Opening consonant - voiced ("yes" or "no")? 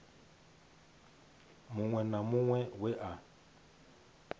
yes